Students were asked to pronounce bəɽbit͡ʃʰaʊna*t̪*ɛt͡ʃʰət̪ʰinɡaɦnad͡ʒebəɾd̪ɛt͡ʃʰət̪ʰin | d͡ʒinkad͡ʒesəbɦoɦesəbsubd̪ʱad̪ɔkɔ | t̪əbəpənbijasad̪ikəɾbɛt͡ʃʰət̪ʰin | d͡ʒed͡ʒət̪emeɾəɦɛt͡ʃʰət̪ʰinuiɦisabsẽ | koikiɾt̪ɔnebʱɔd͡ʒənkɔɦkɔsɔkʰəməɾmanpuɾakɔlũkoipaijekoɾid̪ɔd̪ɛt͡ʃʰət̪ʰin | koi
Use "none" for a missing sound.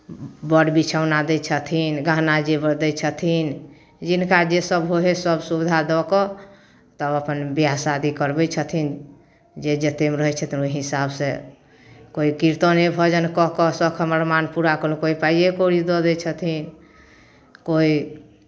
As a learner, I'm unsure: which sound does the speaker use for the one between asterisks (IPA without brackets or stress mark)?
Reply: d̪